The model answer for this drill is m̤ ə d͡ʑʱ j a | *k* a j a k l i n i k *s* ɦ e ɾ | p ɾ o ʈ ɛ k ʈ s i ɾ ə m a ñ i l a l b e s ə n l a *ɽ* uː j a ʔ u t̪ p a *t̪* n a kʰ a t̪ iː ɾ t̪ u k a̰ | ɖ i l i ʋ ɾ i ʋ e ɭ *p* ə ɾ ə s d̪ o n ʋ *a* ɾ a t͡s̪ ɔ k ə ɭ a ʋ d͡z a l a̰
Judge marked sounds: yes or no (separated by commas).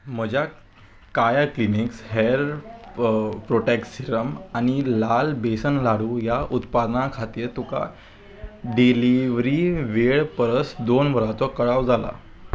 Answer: yes, yes, yes, no, yes, no